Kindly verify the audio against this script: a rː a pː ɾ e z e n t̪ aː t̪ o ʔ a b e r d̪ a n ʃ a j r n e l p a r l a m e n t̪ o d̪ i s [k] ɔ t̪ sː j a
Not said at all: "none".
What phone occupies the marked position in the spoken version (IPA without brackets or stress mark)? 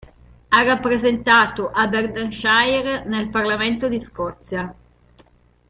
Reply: k